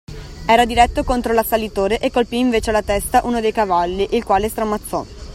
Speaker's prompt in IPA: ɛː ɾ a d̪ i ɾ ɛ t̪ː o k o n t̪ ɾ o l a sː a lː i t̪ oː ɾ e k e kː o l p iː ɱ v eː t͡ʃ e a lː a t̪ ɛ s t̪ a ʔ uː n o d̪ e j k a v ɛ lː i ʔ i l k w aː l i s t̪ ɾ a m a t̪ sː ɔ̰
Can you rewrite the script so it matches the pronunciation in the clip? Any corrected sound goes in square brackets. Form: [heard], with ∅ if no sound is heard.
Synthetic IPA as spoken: ɛː ɾ a d̪ i ɾ ɛ t̪ː o k o n t̪ ɾ o l a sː a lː i t̪ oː ɾ e [ʔ] e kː o l p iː ɱ v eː t͡ʃ e a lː a t̪ ɛ s t̪ a ʔ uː n o d̪ e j k a v [a] lː i ʔ i l k w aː l [e] s t̪ ɾ a m a t̪ sː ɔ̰